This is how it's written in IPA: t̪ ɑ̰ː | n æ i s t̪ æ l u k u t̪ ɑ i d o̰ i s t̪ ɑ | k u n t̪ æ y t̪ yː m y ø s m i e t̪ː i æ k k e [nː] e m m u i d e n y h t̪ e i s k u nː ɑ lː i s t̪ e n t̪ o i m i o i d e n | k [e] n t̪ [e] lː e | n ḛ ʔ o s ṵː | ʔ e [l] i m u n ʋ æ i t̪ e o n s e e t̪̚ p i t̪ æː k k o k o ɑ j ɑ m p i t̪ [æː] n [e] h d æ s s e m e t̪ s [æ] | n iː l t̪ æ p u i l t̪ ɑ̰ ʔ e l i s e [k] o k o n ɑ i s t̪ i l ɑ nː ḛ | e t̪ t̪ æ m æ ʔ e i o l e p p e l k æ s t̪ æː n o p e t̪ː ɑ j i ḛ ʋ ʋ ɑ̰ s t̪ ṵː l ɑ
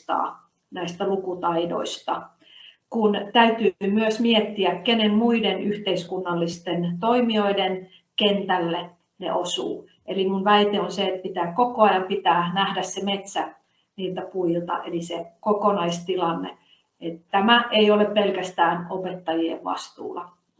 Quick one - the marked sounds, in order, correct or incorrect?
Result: incorrect, correct, incorrect, correct, correct, incorrect, correct, correct

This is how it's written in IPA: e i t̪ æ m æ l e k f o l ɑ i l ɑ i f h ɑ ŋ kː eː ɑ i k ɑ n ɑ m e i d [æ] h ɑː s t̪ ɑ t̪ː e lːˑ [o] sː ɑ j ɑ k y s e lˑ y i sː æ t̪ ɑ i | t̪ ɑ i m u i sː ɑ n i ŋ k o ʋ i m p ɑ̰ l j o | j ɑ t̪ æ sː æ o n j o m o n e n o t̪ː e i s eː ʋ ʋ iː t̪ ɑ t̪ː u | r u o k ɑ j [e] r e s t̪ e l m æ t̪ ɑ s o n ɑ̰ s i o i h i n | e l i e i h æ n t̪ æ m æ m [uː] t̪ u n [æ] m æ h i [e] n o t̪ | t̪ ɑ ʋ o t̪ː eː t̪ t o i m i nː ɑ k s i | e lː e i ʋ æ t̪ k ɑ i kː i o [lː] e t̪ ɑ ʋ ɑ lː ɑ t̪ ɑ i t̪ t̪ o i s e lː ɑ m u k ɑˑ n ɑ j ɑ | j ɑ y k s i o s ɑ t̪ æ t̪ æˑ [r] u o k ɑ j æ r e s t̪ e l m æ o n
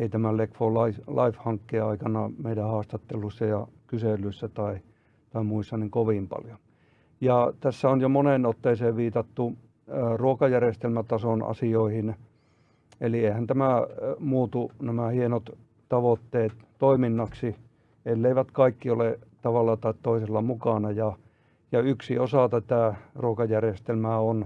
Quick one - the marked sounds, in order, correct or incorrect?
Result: correct, incorrect, incorrect, correct, correct, correct, incorrect, correct

